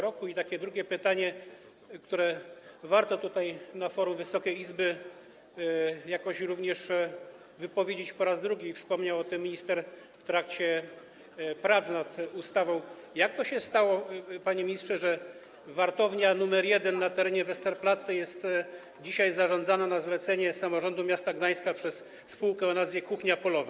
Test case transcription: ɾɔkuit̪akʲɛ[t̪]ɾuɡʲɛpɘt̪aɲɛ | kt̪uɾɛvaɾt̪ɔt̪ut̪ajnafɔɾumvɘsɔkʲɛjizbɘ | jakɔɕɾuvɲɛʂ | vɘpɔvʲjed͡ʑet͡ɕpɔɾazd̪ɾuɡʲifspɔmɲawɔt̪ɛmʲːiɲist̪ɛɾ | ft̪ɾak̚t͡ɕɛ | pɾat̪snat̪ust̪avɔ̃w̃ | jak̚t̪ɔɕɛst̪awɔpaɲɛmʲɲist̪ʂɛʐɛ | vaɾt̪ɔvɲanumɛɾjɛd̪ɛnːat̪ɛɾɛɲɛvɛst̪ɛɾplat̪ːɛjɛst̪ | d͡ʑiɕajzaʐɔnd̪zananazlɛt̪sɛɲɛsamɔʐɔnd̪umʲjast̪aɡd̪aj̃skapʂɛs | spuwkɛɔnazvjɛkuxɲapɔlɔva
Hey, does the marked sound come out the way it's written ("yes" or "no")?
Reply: no